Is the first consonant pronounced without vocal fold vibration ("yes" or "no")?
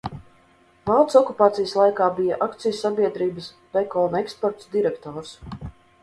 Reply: no